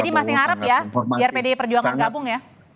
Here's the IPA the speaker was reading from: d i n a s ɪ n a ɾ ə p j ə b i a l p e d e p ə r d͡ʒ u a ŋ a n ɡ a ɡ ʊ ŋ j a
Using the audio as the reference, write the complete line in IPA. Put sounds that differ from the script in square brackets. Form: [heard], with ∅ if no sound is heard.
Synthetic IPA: d i [m] a s ɪ [ŋ] a ɾ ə p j [a] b i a [r] p e d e p ə r d͡ʒ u a ŋ a n ɡ a [b] ʊ ŋ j a